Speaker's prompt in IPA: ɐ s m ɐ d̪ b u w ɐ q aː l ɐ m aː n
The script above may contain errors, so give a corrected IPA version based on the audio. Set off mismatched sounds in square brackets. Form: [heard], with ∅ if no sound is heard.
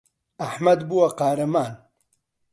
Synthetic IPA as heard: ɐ [ħ] m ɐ d̪ b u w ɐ q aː [ɾ] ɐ m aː n